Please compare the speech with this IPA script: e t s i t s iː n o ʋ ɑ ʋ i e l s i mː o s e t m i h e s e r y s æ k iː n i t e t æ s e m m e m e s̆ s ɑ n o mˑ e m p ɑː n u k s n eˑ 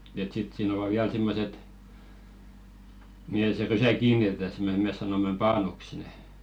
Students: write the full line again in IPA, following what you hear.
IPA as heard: e t s i t s iː n o ʋ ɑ ʋ i æ l s i mː o s e t m i h e s e r y s æ k iː n i t e t æ s e m m e m e s̆ s ɑ n o mˑ e m p ɑː n u k s n eˑ